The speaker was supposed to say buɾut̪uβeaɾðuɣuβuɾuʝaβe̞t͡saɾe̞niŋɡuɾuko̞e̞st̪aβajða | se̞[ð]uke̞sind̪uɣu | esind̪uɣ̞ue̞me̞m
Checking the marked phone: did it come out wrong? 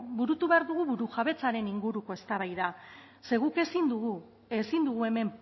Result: yes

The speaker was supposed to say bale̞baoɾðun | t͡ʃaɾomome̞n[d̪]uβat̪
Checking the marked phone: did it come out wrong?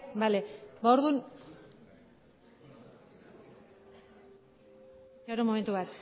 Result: yes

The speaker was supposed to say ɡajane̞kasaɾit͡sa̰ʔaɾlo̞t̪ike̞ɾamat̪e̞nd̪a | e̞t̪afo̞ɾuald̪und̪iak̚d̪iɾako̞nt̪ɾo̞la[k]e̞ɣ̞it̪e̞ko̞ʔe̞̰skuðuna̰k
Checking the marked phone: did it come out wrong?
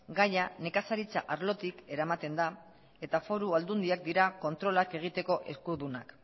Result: no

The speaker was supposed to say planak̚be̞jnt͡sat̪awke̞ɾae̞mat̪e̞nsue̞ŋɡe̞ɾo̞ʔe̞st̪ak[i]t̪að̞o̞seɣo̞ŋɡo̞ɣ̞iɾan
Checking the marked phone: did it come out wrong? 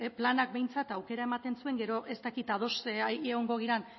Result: no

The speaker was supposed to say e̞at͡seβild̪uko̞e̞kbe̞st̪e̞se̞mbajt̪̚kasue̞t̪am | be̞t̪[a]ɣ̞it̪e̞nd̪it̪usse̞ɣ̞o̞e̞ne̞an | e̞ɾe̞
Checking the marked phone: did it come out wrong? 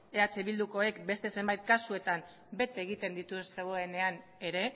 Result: yes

